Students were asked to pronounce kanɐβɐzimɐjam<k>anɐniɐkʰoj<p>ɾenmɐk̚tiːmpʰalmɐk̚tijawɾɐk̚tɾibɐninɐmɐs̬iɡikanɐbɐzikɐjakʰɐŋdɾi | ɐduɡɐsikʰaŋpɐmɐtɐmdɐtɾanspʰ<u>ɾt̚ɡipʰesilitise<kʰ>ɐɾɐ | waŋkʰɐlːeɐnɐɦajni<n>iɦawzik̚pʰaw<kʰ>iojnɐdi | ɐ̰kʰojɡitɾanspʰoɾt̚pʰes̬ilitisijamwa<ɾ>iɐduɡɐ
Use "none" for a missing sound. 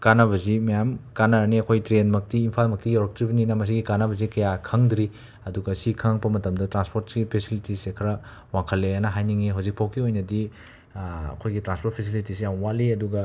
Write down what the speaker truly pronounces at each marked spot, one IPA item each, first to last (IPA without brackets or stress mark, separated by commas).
k, t, o, kʰ, ŋ, kʰ, l